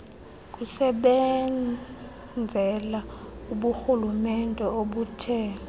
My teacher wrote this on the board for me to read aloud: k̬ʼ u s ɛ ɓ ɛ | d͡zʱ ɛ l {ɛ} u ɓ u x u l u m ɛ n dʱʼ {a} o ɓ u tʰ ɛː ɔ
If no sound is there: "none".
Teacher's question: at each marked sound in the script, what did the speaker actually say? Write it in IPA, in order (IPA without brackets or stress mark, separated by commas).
a, ɛ